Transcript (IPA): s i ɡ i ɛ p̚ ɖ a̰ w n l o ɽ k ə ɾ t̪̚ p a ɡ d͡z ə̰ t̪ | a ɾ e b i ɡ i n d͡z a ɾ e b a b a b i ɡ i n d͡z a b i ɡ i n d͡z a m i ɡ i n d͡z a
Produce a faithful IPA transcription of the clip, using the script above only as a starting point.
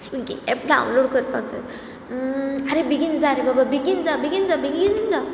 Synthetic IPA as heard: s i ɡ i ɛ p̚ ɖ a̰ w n l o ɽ k ə ɾ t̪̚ p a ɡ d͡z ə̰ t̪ | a ɾ e b i ɡ i n d͡z a ɾ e b a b a b i ɡ i n d͡z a b i ɡ i n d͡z a b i ɡ i n d͡z a